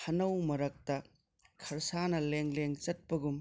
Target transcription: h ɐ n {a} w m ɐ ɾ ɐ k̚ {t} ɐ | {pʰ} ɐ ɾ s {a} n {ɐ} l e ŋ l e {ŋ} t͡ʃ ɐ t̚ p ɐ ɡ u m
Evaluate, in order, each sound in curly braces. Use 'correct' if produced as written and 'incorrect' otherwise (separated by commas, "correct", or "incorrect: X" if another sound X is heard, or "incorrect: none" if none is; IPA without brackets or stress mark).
incorrect: ɐ, correct, incorrect: kʰ, correct, correct, correct